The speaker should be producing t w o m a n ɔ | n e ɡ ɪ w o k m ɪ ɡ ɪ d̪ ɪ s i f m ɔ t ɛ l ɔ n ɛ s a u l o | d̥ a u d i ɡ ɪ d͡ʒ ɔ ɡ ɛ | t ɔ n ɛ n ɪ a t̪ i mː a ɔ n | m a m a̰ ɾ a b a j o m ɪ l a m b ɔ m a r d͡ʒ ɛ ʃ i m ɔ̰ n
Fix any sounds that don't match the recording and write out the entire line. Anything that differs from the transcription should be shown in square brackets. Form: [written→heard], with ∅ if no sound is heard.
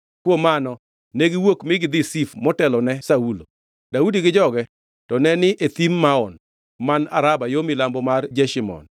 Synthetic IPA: [t→k] w o m a n ɔ | n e ɡ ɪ w o k m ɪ ɡ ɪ d̪ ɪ s i f m ɔ t ɛ l ɔ n ɛ s a u l o | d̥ a u d i ɡ ɪ d͡ʒ ɔ ɡ ɛ | t ɔ n ɛ n ɪ [a→e] t̪ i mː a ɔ n | m a [m→n] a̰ ɾ a b a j o m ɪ l a m b ɔ m a r d͡ʒ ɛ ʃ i m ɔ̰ n